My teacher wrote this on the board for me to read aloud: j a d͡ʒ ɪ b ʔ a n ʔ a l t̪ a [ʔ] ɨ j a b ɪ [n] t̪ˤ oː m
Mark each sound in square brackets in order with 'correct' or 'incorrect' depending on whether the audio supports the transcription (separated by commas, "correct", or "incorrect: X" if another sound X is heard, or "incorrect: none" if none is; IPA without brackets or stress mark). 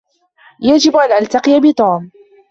incorrect: q, incorrect: none